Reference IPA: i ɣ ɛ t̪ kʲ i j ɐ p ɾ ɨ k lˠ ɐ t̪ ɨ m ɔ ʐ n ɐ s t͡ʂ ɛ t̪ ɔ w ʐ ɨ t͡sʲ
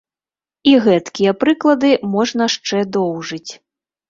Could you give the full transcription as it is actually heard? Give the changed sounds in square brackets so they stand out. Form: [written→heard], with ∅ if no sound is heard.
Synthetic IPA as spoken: i ɣ ɛ t̪ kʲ i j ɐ p ɾ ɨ k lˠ ɐ [t̪→d̪] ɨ m ɔ ʐ n ɐ [s→ʂ] t͡ʂ ɛ [t̪→d̪] ɔ w ʐ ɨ t͡sʲ